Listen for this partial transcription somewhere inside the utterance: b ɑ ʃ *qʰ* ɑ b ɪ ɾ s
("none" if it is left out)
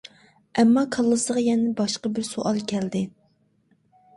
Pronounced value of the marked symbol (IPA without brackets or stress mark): q